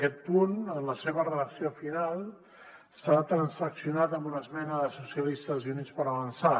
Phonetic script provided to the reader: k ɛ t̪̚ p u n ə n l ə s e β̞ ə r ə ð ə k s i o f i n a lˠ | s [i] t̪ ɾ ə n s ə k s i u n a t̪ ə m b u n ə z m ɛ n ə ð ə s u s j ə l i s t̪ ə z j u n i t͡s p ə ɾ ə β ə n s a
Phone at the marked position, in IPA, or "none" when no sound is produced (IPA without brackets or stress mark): a